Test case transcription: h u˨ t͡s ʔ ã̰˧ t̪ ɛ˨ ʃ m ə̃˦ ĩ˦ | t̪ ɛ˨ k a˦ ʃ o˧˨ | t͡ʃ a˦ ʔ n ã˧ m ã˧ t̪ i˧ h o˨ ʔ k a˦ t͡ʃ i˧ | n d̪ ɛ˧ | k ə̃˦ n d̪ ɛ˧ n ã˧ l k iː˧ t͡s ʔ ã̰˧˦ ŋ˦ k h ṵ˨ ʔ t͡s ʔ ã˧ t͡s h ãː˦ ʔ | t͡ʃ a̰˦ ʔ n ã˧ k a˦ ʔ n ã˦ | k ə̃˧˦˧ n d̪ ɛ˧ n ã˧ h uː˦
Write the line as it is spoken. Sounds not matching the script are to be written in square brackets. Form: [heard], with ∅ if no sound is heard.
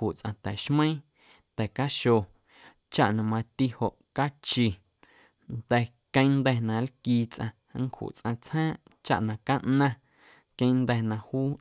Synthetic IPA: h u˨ t͡s ʔ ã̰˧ t̪ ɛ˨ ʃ m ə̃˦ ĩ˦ | t̪ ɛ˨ k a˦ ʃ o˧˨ | t͡ʃ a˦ ʔ n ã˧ m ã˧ t̪ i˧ h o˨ ʔ k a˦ t͡ʃ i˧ | n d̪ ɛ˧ | k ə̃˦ n d̪ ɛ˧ n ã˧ l k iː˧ t͡s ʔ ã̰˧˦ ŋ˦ k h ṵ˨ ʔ t͡s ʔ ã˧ t͡s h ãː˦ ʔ | t͡ʃ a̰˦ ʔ n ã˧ k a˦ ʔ n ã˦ | k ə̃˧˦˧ n d̪ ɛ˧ n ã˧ h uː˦